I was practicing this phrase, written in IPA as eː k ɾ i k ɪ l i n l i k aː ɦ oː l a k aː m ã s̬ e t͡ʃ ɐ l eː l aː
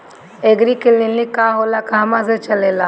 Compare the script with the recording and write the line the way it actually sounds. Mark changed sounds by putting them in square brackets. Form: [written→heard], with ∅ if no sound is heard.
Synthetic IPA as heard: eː [k→ɡ] ɾ i k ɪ l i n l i k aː ɦ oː l a k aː m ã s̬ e t͡ʃ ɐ l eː l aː